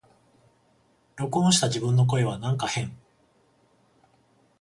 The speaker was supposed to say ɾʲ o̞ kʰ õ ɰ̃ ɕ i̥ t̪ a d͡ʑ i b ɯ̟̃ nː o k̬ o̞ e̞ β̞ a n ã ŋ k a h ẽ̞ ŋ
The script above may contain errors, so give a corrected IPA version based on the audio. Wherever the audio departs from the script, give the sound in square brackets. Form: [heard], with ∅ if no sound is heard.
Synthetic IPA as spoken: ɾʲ o̞ [k] õ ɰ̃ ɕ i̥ t̪ a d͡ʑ i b ɯ̟̃ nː o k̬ o̞ e̞ β̞ a n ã ŋ k a h ẽ̞ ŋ